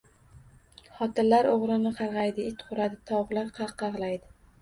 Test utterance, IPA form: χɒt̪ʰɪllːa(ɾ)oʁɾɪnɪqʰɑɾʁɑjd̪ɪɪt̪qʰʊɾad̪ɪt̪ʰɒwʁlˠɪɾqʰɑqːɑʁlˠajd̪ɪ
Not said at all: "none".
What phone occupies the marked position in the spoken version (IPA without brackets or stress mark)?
ɾ